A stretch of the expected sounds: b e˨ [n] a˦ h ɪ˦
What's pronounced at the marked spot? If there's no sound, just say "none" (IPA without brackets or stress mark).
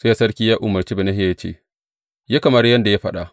n